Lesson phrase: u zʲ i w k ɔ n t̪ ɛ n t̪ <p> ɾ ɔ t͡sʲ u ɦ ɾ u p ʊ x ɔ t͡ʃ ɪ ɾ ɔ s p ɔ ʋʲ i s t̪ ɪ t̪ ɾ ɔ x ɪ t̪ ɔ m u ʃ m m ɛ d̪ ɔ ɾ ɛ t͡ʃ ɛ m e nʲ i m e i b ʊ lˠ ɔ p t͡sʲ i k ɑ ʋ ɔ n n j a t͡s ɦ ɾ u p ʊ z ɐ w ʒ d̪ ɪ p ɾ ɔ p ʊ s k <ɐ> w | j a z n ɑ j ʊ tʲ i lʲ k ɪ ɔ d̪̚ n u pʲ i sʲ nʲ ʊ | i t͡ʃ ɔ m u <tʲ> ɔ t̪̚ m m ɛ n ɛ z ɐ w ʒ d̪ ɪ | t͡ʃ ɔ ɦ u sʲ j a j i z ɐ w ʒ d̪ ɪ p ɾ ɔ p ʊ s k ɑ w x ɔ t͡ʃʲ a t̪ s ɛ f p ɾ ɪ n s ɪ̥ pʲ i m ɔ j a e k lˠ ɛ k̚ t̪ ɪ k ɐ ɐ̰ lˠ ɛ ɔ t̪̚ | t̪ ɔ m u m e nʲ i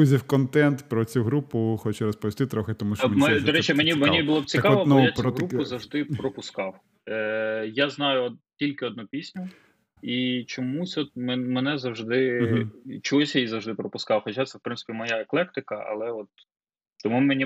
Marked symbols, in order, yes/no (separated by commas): yes, no, no